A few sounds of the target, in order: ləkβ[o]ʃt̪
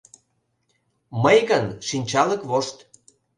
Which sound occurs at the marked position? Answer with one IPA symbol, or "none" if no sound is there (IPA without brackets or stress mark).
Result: o